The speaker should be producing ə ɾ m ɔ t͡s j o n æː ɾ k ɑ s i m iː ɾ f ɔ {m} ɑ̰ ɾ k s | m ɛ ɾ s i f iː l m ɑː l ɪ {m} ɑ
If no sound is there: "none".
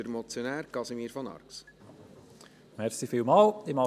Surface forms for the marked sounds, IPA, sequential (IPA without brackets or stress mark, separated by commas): n, m